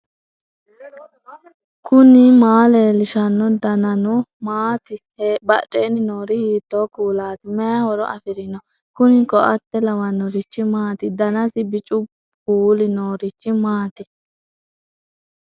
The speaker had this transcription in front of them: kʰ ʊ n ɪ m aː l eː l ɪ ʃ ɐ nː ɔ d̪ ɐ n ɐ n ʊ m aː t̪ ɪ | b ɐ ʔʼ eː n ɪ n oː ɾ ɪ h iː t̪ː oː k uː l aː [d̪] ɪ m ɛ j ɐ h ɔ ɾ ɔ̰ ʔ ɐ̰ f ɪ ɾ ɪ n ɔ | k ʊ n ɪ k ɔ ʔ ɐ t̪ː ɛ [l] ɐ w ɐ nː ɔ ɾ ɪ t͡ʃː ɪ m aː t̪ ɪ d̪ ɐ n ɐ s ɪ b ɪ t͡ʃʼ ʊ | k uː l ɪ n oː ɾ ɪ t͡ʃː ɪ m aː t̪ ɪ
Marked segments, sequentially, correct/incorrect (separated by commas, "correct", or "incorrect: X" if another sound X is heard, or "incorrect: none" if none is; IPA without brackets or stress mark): incorrect: t̪, correct